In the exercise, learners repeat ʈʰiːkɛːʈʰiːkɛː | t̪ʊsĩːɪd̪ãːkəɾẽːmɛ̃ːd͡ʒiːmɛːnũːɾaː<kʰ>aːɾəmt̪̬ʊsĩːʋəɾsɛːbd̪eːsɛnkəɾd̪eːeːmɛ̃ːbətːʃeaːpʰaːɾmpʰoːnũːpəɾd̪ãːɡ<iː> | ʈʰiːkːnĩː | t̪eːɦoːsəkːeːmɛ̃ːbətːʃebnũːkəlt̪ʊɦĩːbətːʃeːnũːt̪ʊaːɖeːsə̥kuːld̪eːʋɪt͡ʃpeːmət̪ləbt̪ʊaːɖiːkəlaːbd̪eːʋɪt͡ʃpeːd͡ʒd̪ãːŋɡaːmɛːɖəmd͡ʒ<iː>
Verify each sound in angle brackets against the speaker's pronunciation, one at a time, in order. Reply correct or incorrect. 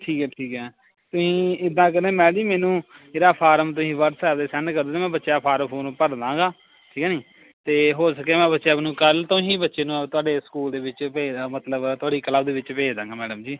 incorrect, incorrect, correct

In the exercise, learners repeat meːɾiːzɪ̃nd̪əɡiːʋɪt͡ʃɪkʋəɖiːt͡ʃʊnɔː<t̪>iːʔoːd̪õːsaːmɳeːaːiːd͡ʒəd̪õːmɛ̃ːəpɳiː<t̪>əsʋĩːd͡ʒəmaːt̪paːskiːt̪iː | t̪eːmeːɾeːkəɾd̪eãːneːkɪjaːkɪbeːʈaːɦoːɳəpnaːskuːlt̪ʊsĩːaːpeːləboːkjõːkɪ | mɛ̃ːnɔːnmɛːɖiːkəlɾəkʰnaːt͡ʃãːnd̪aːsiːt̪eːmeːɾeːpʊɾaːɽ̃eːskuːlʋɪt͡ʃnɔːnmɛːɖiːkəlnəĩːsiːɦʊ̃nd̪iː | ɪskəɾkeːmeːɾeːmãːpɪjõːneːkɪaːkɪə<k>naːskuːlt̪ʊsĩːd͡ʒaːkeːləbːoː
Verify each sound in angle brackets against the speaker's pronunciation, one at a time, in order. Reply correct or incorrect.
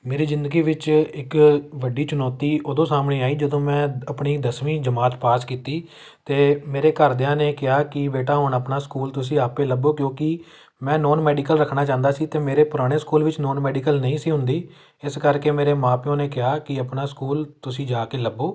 correct, incorrect, incorrect

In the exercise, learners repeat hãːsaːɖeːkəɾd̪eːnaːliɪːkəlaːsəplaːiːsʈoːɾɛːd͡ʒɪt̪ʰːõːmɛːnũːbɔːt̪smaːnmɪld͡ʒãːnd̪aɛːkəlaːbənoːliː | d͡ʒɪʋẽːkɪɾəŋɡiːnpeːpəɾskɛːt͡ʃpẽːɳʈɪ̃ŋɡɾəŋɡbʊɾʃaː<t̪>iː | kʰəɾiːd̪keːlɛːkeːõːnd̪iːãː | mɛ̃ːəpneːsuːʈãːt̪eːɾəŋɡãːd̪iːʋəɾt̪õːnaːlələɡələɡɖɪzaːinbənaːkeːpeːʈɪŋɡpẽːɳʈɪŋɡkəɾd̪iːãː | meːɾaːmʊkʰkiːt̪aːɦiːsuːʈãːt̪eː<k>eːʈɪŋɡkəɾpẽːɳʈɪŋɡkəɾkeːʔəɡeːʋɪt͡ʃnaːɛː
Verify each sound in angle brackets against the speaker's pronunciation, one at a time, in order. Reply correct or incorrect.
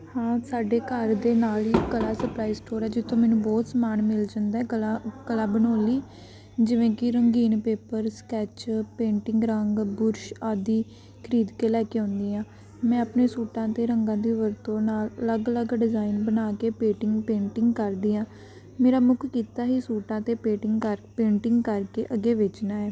incorrect, incorrect

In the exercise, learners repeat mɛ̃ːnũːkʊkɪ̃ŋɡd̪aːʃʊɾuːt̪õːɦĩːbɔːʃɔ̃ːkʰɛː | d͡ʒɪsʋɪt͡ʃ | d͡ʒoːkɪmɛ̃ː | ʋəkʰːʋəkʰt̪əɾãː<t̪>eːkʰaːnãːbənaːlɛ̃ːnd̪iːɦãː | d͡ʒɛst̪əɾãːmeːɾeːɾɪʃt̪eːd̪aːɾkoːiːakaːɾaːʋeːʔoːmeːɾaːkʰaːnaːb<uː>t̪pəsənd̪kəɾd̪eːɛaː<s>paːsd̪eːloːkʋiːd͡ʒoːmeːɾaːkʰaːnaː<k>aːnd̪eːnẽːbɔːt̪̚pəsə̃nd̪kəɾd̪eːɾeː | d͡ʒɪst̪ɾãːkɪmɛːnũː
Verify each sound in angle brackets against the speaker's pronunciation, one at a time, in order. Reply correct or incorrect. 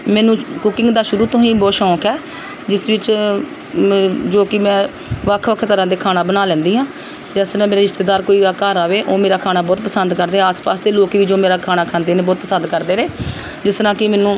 incorrect, incorrect, correct, incorrect

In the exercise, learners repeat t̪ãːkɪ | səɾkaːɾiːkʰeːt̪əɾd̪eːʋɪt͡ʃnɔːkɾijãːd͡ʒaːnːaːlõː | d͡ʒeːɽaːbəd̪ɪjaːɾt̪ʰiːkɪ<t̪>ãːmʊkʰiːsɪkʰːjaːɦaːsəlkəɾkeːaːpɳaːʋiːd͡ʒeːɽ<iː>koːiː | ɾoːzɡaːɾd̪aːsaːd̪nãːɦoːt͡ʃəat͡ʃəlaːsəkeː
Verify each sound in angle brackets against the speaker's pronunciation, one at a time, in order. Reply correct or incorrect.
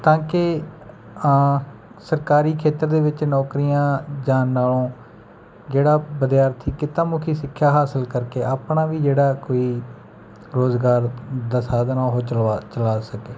correct, incorrect

